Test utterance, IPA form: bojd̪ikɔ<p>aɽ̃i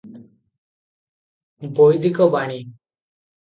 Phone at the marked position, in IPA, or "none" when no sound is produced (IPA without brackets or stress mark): b